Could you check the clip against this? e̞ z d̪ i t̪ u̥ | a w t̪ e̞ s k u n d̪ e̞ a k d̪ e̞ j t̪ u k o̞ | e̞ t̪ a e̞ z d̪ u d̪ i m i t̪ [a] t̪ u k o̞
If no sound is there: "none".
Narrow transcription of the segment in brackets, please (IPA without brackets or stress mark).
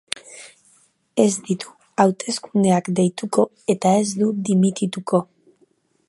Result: i